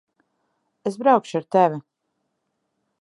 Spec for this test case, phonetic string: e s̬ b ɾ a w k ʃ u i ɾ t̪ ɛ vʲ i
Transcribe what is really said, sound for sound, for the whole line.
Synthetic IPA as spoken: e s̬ b ɾ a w k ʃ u a ɾ t̪ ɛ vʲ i